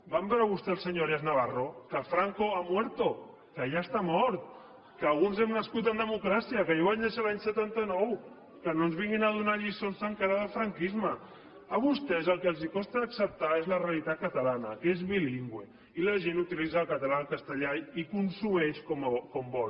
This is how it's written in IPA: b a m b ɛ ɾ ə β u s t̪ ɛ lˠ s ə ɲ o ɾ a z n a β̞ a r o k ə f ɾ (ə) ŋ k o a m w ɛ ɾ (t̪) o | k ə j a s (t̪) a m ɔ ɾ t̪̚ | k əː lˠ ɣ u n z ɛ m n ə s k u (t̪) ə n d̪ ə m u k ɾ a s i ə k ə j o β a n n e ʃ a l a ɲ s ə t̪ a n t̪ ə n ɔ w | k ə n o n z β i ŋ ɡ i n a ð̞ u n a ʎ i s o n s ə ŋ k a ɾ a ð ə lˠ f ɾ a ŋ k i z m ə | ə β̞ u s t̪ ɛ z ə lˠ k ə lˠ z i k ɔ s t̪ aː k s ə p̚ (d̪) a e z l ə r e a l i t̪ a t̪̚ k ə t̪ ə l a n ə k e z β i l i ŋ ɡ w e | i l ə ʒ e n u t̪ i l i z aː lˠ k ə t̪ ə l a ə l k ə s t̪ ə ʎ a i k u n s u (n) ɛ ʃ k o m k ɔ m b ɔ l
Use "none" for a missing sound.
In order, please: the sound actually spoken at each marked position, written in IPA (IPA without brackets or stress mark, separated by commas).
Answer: a, t̪, t̪, t̪, t̪, m